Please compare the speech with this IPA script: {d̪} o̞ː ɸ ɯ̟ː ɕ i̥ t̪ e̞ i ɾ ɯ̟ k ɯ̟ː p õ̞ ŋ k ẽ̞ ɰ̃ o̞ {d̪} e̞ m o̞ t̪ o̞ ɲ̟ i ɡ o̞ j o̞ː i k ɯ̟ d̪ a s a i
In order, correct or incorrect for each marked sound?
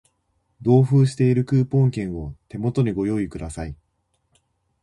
correct, incorrect: t̪

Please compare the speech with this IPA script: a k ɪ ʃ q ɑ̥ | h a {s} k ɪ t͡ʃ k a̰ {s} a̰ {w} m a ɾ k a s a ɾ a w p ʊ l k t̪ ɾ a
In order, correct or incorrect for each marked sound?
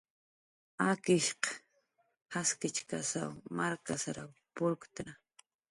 correct, correct, correct

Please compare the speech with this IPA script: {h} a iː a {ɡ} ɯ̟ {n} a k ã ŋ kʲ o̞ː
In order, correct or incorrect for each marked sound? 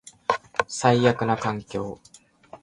incorrect: s, incorrect: k, correct

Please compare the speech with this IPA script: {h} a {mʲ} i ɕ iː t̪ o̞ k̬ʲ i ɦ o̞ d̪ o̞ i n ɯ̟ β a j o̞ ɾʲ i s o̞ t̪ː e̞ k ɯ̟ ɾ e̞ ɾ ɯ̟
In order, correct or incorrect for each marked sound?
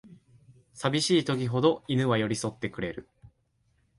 incorrect: s, incorrect: bʲ

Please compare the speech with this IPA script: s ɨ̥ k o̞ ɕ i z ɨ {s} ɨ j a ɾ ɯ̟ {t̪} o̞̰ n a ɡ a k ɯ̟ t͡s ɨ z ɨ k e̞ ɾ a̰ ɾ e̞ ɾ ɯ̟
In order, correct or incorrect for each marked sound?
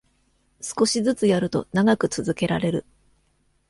incorrect: t͡s, correct

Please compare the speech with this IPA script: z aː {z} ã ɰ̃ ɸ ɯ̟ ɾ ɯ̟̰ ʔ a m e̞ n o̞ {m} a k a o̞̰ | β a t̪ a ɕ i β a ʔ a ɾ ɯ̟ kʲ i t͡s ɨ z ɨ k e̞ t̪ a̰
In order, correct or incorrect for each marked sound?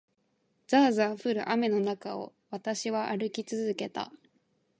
correct, incorrect: n

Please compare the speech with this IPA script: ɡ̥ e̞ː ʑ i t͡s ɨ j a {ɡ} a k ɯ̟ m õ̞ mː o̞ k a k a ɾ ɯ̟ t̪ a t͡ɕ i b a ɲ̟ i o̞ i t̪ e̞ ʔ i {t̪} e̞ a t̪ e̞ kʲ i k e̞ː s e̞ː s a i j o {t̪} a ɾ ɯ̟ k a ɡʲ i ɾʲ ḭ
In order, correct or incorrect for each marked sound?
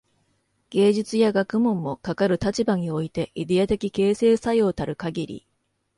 correct, incorrect: d̪, correct

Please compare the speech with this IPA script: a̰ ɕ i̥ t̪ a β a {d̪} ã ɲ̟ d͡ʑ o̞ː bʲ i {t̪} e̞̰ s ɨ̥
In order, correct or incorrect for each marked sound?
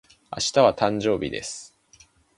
incorrect: t̪, incorrect: d̪

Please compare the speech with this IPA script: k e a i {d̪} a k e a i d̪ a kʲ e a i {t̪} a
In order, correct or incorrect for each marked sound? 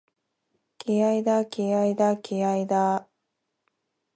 correct, incorrect: d̪

